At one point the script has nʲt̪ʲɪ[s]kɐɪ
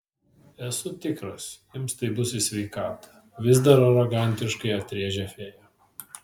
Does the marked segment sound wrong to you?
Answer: yes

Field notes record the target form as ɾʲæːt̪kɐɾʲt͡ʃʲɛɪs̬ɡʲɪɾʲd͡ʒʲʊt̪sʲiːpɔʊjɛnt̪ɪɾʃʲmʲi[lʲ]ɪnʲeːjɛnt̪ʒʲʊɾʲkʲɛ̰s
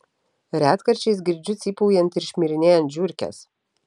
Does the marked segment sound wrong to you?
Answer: yes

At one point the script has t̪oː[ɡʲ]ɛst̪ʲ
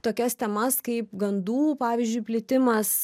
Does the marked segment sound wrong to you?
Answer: yes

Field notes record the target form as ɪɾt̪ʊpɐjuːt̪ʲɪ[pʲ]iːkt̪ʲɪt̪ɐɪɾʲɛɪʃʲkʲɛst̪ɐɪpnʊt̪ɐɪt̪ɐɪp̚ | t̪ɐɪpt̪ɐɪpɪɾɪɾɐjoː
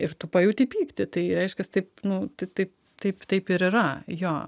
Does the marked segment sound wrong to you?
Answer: no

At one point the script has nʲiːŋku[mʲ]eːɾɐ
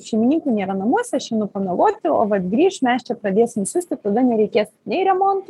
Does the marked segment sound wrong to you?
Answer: yes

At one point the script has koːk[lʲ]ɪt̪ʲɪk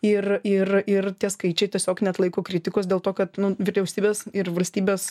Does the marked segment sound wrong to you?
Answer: yes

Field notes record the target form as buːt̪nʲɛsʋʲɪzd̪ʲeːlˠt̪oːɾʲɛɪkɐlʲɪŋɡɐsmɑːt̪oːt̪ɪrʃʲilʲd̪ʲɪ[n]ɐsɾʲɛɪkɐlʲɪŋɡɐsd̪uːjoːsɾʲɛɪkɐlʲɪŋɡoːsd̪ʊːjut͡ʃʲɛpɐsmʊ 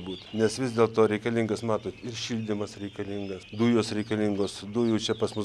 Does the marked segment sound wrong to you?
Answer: yes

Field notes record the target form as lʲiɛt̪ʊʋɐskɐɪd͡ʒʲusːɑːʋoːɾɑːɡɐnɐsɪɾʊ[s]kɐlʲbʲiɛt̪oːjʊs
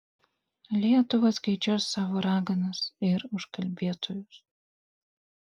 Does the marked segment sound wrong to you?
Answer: yes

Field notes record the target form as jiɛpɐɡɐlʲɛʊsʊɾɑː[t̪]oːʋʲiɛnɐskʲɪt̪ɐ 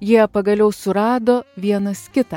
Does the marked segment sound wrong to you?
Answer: yes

